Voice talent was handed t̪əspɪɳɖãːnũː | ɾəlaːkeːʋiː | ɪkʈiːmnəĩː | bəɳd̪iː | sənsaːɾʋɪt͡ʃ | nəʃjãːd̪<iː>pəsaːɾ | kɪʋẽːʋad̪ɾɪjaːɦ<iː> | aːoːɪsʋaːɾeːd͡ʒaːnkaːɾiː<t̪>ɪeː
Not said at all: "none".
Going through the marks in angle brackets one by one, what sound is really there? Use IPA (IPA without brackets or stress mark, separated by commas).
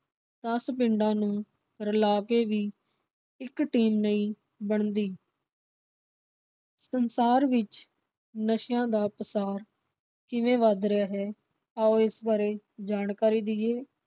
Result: aː, ɛː, d̪